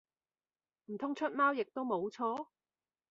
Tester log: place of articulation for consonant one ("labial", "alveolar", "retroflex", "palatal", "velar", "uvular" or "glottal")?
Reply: labial